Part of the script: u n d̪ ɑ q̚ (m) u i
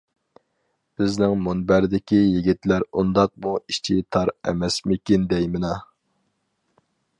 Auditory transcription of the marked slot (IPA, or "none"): m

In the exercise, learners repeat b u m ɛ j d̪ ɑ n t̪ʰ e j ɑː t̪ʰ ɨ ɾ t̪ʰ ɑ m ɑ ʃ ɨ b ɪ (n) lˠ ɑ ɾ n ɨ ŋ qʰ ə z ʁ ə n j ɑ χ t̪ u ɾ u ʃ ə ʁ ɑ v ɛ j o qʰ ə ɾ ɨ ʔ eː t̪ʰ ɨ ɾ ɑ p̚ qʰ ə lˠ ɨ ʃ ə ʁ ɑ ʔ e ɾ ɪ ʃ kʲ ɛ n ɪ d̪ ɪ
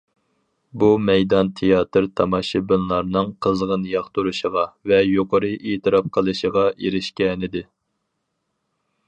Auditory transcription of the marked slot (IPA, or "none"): n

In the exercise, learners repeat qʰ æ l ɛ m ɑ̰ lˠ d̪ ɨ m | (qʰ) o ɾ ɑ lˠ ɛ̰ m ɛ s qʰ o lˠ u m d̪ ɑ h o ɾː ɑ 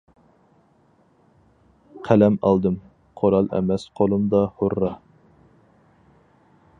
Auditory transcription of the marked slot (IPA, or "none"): qʰ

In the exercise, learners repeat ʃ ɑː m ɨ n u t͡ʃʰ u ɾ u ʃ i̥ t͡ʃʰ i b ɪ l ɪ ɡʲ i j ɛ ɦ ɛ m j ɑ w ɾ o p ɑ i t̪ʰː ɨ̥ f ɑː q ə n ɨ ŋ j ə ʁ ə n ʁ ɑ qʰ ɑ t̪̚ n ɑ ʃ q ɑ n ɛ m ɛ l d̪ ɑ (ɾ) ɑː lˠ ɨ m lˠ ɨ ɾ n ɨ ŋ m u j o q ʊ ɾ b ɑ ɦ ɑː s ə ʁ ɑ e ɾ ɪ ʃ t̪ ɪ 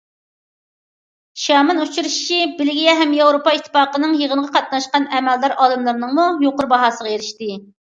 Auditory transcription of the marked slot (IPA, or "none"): ɾ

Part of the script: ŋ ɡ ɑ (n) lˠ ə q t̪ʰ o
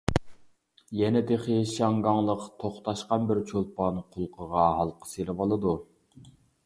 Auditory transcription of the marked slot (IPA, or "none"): ŋ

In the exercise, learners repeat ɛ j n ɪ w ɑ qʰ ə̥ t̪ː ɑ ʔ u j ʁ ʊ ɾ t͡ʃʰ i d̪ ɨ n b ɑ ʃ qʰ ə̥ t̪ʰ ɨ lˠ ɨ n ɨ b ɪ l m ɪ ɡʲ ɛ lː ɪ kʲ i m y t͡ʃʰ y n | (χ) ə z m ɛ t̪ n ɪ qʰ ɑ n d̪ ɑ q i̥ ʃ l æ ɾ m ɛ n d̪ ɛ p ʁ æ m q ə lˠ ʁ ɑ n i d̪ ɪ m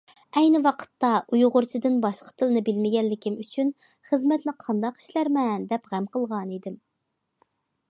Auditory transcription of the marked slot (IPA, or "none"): χ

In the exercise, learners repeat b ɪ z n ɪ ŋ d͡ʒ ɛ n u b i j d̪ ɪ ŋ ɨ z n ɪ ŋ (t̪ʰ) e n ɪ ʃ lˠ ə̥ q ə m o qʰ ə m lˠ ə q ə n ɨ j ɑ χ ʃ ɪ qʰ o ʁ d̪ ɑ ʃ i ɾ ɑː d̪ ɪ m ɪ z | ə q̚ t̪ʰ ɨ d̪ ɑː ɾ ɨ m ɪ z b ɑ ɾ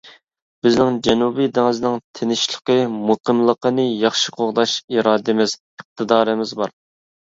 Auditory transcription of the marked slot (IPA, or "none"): t̪ʰ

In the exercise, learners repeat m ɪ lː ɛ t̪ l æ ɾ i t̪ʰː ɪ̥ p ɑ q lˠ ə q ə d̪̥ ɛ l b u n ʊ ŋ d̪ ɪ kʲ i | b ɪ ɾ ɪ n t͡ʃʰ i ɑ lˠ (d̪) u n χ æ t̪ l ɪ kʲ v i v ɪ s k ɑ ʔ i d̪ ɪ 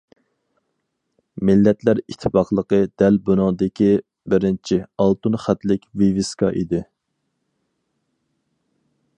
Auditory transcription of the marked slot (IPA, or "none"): t̪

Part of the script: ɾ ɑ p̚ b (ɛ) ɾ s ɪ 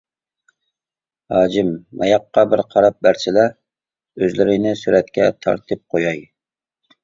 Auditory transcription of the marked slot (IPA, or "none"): æ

